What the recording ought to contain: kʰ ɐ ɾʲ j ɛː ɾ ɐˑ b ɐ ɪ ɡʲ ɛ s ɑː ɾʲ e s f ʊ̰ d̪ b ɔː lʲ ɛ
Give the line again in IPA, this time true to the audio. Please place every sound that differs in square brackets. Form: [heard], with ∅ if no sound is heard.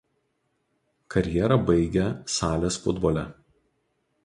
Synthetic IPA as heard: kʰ ɐ ɾʲ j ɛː ɾ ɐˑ b ɐ ɪ ɡʲ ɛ s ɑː [lʲ] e s f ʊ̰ d̪ b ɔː lʲ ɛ